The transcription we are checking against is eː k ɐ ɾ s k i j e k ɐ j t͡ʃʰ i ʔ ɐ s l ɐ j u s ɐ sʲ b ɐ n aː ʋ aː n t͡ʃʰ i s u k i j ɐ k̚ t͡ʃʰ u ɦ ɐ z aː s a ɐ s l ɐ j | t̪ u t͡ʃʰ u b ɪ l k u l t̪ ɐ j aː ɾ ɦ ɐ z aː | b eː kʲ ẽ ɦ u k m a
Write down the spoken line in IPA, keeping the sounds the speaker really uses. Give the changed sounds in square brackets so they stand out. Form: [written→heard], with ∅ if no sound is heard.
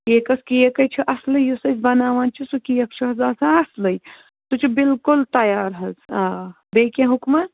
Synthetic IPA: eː k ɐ [ɾ→∅] s k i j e k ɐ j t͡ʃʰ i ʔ ɐ s l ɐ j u s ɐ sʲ b ɐ n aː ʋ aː n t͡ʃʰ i s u k i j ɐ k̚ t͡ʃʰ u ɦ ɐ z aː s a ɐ s l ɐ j | t̪ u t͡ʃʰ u b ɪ l k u l t̪ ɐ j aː ɾ ɦ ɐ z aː | b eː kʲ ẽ ɦ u k m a